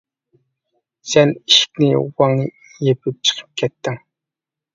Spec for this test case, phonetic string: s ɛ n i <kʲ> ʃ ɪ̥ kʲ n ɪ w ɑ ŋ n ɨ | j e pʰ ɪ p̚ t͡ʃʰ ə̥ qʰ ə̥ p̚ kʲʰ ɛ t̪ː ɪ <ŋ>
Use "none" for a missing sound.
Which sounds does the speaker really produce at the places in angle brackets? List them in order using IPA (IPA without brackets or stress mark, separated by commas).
none, ŋ